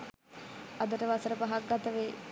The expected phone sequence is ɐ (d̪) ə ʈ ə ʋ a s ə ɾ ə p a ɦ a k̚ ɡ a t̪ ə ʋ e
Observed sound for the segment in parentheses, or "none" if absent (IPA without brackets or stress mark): d̪